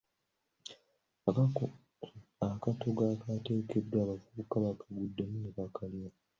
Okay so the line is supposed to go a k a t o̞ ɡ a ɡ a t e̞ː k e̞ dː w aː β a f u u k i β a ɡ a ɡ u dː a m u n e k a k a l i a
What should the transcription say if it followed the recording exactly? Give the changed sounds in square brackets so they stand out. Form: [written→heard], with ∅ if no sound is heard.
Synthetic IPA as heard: a k a t o̞ ɡ a [ɡ→k] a t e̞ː k e̞ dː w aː β a f u u k [i→a] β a [ɡ→k] a ɡ u dː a m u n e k a k a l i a